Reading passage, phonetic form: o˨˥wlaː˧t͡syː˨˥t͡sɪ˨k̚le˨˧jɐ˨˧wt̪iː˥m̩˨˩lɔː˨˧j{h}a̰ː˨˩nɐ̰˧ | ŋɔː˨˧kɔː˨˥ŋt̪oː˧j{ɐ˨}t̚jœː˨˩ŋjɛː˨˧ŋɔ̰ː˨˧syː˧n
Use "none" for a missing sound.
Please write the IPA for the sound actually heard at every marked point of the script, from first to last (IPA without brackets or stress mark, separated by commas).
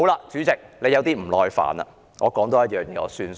f, ɐ˥